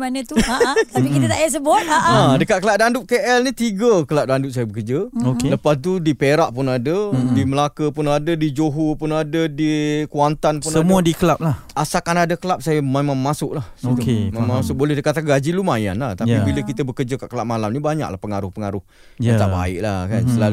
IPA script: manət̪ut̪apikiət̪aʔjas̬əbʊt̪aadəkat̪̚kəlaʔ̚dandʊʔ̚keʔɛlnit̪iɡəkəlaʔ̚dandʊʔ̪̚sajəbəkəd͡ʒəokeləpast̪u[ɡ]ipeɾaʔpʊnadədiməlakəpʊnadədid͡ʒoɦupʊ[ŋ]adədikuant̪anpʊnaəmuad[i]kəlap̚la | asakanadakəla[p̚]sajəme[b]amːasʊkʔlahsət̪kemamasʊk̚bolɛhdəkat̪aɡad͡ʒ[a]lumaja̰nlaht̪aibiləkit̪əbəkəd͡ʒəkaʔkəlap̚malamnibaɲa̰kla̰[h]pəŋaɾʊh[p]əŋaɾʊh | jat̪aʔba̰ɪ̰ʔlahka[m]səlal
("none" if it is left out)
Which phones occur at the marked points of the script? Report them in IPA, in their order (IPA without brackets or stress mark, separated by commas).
d, n, i, p̚, m, i, h, p, n